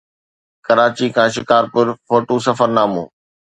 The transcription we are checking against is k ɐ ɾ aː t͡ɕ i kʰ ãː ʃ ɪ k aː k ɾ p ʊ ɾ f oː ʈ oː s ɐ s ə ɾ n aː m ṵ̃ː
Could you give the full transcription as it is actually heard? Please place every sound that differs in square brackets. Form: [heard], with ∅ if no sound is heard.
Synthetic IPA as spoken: k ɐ ɾ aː t͡ɕ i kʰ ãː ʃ ɪ k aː [∅] ɾ p ʊ ɾ f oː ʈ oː s ɐ [f] ə ɾ n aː m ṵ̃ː